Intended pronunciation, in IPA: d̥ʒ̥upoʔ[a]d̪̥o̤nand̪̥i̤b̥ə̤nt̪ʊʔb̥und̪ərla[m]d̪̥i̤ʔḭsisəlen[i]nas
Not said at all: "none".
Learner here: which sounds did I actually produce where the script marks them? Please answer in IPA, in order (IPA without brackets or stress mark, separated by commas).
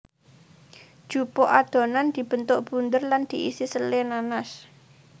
a, n, a